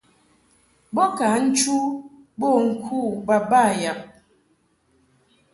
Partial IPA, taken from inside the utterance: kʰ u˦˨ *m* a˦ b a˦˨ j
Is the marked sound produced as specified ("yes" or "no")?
no